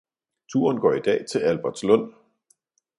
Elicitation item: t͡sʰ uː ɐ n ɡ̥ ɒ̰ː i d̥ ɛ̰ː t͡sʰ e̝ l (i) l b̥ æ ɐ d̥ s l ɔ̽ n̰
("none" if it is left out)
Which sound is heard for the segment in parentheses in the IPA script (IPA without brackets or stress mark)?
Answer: æ